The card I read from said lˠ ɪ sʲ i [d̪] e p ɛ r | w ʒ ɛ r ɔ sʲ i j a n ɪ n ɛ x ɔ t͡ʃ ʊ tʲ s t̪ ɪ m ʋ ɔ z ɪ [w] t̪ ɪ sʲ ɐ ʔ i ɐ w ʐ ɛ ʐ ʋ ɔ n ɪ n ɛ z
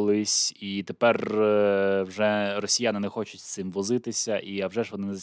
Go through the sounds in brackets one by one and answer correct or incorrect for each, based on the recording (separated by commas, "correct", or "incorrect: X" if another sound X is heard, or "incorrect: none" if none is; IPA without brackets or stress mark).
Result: incorrect: t̪, incorrect: none